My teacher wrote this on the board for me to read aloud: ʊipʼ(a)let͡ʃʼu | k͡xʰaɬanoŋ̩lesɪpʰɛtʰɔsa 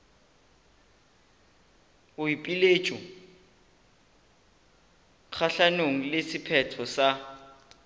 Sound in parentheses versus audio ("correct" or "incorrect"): incorrect